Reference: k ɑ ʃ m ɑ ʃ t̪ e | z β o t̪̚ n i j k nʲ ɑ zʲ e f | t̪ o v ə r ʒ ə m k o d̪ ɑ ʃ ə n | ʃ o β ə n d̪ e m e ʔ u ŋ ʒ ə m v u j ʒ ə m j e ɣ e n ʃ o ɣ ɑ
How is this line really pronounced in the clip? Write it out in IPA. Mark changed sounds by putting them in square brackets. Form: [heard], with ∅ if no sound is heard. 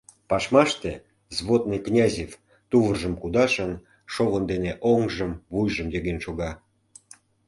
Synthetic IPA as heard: [p] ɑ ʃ m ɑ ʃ t̪ e | z β o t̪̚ n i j k nʲ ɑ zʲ e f | t̪ [u] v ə r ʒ ə m k [u] d̪ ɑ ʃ ə n | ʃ o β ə n d̪ e [n] e ʔ [o] ŋ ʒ ə m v u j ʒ ə m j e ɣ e n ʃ o ɣ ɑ